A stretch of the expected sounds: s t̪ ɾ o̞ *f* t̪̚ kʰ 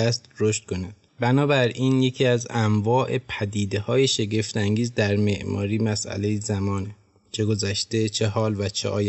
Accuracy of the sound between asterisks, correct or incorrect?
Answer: incorrect